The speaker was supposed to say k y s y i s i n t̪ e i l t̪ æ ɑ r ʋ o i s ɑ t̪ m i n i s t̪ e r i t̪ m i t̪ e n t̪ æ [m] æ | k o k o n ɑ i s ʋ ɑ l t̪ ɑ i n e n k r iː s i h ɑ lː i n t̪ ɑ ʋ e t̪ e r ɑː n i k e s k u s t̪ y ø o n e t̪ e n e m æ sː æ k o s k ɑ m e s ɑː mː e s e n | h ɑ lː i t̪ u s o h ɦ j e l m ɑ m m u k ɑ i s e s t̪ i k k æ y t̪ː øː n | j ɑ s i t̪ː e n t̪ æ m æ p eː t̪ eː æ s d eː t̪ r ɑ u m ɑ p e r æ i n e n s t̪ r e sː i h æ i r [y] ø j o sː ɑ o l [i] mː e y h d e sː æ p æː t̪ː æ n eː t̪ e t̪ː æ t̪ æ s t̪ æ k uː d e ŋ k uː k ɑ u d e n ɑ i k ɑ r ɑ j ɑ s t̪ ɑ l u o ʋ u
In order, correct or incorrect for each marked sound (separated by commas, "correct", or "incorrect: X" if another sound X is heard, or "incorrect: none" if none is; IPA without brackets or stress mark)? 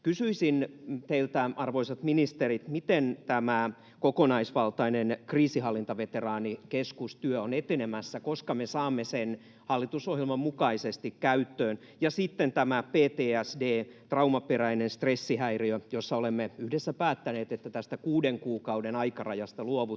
correct, incorrect: i, incorrect: e